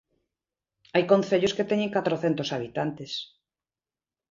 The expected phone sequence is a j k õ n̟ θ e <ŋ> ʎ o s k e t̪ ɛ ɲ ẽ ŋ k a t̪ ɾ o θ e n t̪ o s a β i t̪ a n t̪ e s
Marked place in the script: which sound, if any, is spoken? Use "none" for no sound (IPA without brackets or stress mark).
none